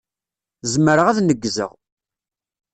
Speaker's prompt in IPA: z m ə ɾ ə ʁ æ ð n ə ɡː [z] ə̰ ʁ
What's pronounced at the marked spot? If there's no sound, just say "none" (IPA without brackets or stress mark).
z